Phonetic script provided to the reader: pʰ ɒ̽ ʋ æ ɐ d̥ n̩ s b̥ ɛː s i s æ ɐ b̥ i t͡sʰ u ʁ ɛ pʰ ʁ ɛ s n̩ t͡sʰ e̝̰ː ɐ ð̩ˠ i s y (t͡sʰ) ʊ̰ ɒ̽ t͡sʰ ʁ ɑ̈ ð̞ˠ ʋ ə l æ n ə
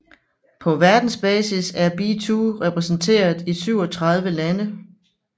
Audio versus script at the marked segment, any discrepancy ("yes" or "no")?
yes